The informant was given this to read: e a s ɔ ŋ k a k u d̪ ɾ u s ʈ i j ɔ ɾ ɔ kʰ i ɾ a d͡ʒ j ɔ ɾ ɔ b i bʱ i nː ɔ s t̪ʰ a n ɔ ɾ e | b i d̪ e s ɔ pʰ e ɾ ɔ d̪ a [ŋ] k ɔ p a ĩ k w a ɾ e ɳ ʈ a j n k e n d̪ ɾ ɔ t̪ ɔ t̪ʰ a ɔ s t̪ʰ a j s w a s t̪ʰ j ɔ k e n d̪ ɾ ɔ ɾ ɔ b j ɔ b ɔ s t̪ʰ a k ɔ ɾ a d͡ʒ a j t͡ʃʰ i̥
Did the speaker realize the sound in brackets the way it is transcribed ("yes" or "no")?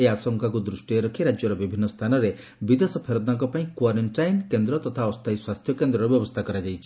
yes